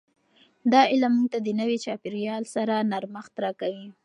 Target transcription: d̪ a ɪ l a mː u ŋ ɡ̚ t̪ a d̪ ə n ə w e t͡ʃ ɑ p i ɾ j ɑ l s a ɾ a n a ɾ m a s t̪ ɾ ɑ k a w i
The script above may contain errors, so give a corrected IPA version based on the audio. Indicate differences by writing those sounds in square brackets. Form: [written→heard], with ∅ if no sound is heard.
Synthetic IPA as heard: d̪ [a→ɑ] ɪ l a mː u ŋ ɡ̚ t̪ a d̪ ə n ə w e t͡ʃ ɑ p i ɾ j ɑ l s a ɾ a n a ɾ m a [s→x] t̪ ɾ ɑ k a w i